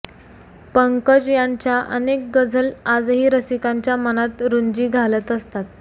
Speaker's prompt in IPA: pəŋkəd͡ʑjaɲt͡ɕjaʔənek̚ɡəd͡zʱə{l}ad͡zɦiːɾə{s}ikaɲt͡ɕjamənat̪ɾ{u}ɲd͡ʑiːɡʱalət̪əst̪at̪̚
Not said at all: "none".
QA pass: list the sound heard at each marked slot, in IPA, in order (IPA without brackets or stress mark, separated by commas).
l, s, u